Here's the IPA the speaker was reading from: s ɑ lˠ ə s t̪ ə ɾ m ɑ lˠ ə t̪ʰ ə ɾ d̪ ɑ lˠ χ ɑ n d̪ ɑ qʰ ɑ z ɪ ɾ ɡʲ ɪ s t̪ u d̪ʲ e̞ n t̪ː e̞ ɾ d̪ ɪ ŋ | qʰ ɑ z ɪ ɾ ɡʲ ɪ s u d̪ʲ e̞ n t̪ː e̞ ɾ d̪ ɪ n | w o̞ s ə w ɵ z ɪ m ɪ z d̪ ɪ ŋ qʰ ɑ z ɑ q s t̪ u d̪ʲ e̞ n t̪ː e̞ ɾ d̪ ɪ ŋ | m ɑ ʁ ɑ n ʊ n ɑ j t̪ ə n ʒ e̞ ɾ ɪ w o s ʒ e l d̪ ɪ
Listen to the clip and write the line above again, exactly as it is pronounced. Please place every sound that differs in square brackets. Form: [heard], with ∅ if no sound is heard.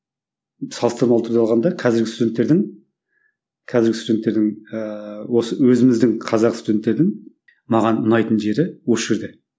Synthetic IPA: s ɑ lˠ ə s t̪ ə ɾ m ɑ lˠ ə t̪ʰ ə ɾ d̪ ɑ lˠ [ʁ] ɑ n d̪ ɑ qʰ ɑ z ɪ ɾ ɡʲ ɪ s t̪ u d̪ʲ e̞ n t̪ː e̞ ɾ d̪ ɪ ŋ | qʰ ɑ z ɪ ɾ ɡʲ ɪ s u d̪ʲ e̞ n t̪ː e̞ ɾ d̪ ɪ [ŋ] | w o̞ s ə w ɵ z ɪ m ɪ z d̪ ɪ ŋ qʰ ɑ z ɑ q s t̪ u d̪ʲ e̞ n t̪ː e̞ ɾ d̪ ɪ ŋ | m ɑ ʁ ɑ n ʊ n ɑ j t̪ ə n ʒ e̞ ɾ ɪ w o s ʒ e [ɾ] d̪ ɪ